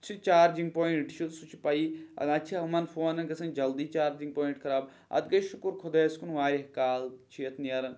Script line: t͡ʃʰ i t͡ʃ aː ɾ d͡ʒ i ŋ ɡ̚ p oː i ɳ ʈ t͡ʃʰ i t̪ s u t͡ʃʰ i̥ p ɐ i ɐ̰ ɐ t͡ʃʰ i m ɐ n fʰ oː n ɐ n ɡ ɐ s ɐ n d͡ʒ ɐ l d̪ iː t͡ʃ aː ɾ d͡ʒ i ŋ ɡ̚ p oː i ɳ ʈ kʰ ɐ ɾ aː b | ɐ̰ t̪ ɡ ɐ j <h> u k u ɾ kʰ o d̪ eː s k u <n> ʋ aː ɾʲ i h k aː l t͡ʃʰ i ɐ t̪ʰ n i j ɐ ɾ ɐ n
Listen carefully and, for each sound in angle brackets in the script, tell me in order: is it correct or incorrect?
incorrect, correct

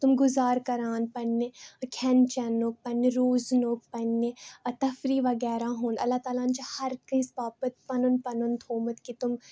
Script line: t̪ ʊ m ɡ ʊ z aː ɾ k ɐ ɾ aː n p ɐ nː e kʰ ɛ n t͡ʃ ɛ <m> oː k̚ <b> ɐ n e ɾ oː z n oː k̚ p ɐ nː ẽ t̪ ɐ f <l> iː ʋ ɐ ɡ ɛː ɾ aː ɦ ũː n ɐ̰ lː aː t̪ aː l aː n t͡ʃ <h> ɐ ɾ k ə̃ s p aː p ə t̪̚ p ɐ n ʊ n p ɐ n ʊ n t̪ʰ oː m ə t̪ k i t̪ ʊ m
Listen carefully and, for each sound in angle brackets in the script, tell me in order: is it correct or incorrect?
incorrect, incorrect, incorrect, correct

